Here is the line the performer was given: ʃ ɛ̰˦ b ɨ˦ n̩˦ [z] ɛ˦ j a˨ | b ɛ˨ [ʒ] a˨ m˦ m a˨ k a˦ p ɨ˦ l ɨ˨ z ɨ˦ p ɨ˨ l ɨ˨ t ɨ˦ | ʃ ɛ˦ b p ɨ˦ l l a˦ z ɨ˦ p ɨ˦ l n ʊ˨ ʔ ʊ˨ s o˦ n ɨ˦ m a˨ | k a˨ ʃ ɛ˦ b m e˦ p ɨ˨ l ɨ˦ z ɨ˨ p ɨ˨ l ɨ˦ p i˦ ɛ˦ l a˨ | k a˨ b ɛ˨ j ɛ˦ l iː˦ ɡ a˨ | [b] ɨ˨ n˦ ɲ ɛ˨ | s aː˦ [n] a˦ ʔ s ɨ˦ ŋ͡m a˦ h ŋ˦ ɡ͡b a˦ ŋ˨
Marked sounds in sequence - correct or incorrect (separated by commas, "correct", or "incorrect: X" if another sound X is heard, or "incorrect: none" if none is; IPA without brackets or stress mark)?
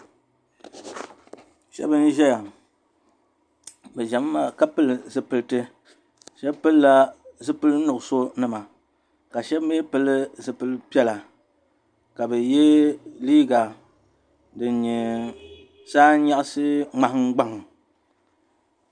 incorrect: ʒ, correct, incorrect: d, incorrect: ɲ